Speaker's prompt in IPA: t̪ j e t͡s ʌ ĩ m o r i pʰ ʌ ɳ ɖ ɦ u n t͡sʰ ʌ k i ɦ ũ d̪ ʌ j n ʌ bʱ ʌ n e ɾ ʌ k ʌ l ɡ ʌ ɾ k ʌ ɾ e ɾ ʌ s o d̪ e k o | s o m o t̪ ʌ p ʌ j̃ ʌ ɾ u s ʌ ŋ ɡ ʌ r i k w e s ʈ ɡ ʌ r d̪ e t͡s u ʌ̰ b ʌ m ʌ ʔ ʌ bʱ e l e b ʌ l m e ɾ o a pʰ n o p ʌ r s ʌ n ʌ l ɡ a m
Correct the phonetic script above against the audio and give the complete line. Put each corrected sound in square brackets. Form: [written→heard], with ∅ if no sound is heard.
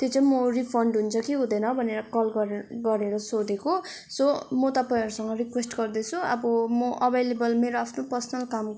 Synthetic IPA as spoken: t̪ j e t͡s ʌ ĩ m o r i pʰ ʌ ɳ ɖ ɦ u n t͡sʰ ʌ k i ɦ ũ d̪ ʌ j n ʌ bʱ ʌ n e ɾ ʌ k ʌ l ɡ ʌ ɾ [k→ɡ] ʌ ɾ e ɾ ʌ s o d̪ e k o | s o m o t̪ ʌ p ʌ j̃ ʌ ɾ u s ʌ ŋ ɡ ʌ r i k w e s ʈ ɡ ʌ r d̪ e [t͡s→t͡sʰ] u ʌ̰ b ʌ m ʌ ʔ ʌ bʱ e l e b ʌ l m e ɾ o a pʰ n o p ʌ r s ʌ n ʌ l [ɡ→k] a m